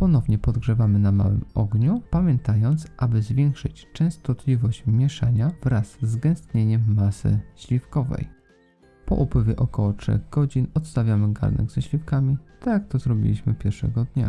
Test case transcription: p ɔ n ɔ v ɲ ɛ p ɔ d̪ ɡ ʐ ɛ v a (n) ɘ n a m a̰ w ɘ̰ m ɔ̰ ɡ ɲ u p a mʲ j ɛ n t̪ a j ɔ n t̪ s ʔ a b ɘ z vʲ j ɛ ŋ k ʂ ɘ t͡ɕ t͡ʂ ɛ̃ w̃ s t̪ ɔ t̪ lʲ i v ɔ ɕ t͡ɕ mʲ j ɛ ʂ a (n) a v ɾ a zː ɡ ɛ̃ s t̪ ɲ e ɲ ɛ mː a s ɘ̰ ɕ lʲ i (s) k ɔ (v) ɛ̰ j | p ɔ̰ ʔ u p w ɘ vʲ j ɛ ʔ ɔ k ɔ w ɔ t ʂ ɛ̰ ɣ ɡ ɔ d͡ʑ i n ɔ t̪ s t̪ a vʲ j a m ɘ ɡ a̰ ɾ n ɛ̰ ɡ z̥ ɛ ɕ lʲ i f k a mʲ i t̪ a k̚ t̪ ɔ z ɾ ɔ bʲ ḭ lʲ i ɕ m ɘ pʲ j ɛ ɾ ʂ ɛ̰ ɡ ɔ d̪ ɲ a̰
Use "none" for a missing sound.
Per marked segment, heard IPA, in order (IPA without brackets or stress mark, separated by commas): m, ɲ, f, v